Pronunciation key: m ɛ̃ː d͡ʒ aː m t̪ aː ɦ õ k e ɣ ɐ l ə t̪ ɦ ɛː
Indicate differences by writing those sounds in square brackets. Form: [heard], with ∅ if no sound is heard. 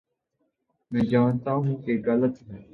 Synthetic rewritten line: m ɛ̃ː d͡ʒ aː [n] t̪ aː ɦ [ũ] k e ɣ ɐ l ə t̪ ɦ ɛː